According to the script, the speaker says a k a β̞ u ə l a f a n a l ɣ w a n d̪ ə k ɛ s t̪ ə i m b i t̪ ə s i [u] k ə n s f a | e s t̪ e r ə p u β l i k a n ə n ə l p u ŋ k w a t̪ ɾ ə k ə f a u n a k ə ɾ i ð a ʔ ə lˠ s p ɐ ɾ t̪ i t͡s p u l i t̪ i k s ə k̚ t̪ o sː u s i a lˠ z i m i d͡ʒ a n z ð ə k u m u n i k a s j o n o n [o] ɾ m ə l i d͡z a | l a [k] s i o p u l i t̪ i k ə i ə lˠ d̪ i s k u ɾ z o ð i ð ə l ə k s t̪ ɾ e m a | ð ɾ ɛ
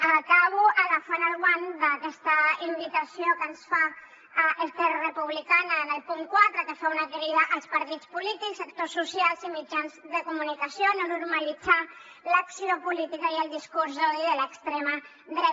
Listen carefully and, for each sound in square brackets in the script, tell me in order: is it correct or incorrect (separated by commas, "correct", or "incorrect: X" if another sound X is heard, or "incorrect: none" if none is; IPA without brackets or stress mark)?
incorrect: o, incorrect: u, correct